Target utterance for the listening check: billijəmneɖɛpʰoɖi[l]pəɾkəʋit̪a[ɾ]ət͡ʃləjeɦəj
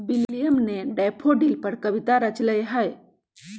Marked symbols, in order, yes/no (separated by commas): yes, yes